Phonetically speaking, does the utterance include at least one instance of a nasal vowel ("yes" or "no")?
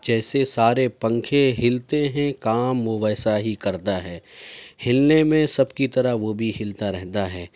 yes